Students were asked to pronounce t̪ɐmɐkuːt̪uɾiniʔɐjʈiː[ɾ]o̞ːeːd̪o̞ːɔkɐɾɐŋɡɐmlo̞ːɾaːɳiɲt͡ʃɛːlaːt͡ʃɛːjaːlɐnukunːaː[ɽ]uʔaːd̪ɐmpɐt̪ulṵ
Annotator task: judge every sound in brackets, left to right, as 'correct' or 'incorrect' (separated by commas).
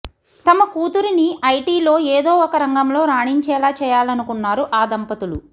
incorrect, incorrect